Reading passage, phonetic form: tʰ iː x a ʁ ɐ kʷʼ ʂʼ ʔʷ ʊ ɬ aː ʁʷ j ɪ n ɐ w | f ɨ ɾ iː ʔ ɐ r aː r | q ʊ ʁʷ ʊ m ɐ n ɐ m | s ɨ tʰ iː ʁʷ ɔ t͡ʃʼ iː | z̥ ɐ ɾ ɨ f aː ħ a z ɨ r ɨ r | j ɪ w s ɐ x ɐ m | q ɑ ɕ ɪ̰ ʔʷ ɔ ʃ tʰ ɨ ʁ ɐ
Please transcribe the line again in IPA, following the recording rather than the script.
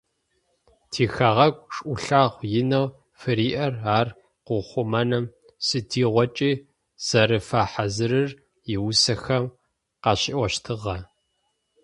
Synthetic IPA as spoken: tʰ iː x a ʁ ɐ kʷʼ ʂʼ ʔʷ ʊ ɬ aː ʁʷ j ɪ n ɐ w | f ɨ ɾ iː ʔ ɐ r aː r | q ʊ χʷ ʊ m ɐ n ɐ m | s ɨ tʰ iː ʁʷ ɔ t͡ʃʼ iː | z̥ ɐ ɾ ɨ f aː ħ a z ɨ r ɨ r | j ɪ w s ɐ x ɐ m | q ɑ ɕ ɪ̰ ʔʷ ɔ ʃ tʰ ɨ ʁ ɐ

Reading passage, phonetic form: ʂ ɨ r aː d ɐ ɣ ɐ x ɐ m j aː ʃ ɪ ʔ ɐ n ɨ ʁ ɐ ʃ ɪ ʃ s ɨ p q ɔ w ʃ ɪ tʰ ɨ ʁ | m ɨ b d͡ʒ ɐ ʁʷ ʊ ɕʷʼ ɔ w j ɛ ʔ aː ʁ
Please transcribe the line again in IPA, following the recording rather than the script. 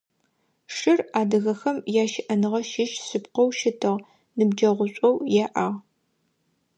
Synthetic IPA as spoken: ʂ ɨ r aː d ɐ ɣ ɐ x ɐ m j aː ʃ ɪ ʔ ɐ n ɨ ʁ ɐ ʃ ɪ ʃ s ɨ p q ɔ w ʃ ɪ tʰ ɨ ʁ | n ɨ b d͡ʒ ɐ ʁʷ ʊ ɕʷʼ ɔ w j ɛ ʔ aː ʁ

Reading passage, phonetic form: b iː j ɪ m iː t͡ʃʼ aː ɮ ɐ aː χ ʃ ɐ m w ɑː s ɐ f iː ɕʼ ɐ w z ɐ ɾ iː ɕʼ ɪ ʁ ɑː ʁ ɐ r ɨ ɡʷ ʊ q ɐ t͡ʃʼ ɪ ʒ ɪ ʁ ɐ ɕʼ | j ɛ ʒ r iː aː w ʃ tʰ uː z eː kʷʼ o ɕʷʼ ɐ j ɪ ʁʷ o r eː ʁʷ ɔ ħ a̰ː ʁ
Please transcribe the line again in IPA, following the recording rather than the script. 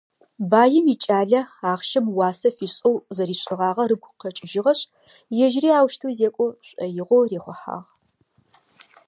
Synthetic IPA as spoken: b aː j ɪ m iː t͡ʃʼ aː ɮ ɐ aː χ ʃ ɐ m w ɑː s ɐ f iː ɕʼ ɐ w z ɐ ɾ iː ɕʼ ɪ ʁ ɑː ʁ ɐ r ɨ ɡʷ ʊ q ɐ t͡ʃʼ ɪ ʒ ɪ ʁ ɐ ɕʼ | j ɛ ʒ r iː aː w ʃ tʰ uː z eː kʷʼ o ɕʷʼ ɐ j ɪ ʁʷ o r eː χʷ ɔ ħ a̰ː ʁ

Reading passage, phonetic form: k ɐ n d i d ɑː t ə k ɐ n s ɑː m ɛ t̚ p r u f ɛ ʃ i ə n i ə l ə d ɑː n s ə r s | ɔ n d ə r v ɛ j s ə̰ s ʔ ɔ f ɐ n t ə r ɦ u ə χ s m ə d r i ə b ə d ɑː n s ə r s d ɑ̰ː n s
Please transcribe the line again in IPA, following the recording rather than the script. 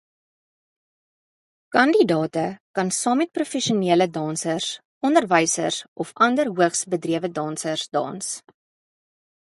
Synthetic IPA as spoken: k ɐ n d i d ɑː t ə k ɐ n s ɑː m ɛ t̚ p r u f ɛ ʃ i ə n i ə l ə d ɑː n s ə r s | ɔ n d ə r v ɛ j s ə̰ s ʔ ɔ f ɐ n d ə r ɦ u ə χ s b ə d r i ə v ə d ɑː n s ə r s d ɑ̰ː n s

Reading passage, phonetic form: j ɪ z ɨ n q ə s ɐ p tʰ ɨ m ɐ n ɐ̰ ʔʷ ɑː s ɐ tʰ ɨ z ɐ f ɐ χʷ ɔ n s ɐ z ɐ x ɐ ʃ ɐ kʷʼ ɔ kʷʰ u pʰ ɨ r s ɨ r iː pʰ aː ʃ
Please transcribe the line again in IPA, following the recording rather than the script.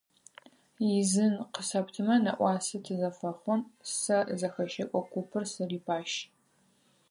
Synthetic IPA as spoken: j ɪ z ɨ n q ə s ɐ p tʰ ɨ m ɐ n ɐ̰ ʔʷ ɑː s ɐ tʰ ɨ z ɐ f ɐ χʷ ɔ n s ɐ z ɐ x ɐ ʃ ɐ kʷʼ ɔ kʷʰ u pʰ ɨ r s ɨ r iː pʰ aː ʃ

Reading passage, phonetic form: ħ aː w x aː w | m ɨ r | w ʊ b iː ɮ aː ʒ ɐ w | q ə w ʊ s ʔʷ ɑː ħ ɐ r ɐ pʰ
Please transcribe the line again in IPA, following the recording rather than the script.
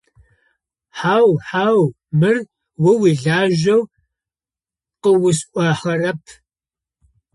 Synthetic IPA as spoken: ħ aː w ħ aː w | m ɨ r | w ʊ w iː ɮ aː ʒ ɐ w | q ə w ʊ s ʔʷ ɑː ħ ɐ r ɐ pʰ

